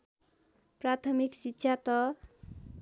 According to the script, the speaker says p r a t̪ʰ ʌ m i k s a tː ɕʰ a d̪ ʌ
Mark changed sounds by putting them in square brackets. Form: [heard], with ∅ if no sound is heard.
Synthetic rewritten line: p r a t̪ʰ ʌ m i k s [i] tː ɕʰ a [t̪] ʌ